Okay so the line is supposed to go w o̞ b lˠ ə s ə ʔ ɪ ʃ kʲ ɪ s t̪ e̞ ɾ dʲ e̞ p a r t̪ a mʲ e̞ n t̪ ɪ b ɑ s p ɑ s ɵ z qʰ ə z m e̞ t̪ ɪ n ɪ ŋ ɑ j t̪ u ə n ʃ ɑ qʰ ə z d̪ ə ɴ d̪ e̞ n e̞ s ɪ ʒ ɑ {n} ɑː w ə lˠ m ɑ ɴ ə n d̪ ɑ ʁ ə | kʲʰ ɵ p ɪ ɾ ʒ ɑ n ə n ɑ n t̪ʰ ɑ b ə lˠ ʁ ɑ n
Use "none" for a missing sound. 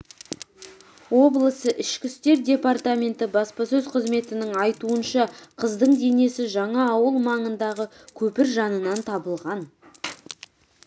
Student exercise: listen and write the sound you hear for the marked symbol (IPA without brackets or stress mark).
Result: ɴ